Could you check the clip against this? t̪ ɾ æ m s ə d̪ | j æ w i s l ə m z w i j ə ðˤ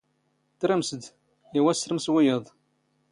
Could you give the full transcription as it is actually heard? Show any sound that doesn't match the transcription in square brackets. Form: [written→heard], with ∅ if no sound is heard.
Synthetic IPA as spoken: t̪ ɾ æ m s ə d̪ | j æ w [i→æ] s [l→ɾ] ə m [z→s] w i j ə ðˤ